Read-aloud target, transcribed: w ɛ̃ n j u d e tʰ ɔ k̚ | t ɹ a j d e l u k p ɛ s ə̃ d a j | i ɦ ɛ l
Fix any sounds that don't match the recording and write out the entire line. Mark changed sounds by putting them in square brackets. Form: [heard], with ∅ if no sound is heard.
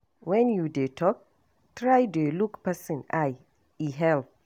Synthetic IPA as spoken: w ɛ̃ n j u d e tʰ ɔ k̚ | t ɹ a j d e l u k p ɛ s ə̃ [n] a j | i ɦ ɛ l